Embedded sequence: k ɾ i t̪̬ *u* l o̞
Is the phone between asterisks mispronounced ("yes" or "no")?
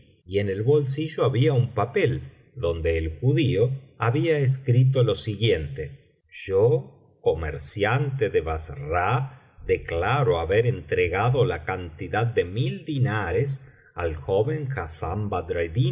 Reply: yes